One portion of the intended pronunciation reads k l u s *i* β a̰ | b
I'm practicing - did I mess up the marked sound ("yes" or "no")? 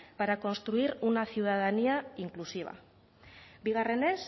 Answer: no